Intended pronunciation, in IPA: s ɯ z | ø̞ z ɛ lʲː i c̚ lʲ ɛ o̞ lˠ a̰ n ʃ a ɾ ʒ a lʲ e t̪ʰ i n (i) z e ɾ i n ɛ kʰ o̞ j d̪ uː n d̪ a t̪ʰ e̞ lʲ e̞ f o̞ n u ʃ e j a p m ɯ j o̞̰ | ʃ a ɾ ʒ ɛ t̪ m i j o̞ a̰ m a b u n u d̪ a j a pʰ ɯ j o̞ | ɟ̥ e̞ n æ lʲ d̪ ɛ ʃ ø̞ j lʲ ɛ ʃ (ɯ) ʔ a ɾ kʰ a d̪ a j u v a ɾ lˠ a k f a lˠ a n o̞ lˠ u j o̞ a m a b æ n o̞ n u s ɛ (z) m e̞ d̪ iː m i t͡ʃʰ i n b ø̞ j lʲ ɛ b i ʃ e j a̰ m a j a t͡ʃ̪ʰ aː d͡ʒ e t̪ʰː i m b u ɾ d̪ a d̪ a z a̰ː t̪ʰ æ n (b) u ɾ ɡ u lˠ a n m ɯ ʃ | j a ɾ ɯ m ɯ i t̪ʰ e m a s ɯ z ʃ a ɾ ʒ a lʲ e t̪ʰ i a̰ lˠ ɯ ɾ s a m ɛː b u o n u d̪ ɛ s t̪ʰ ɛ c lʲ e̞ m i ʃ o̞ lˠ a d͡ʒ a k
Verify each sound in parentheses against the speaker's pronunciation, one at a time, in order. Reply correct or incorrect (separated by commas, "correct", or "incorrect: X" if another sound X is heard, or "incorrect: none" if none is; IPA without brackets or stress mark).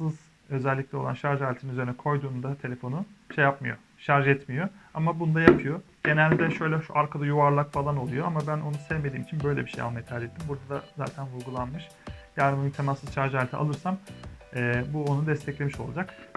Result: incorrect: y, incorrect: u, incorrect: v, incorrect: v